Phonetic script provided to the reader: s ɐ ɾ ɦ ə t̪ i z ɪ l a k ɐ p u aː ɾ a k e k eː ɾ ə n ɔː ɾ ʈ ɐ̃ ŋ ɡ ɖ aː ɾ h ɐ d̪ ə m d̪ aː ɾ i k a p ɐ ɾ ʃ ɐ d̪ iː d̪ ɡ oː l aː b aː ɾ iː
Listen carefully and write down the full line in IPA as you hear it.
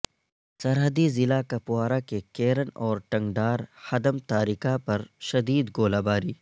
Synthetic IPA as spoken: s ɐ ɾ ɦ ə d̪ i z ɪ l a k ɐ p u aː ɾ a k e k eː ɾ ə n ɔː ɾ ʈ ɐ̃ ŋ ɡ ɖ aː ɾ h ɐ d̪ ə m t̪ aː ɾ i k a p ɐ ɾ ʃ ɐ d̪ iː d̪ ɡ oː l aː b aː ɾ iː